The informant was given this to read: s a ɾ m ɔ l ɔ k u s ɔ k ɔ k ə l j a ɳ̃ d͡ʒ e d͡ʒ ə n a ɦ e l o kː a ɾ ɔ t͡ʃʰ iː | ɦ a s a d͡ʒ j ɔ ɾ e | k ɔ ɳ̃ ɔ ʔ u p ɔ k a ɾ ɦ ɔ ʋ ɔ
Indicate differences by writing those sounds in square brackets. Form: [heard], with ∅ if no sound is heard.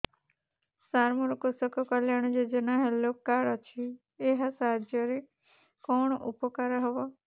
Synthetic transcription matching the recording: s a ɾ m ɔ [ɾ] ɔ k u s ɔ k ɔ k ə l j a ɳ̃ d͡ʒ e d͡ʒ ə n a ɦ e l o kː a ɾ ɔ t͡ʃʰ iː | ɦ a s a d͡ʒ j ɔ ɾ e | k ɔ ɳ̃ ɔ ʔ u p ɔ k a ɾ ɦ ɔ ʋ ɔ